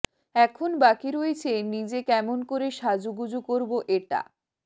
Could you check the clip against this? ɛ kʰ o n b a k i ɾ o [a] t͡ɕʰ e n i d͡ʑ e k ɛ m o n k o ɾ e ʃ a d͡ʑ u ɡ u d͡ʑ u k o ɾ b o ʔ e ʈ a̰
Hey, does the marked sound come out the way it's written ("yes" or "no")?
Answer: no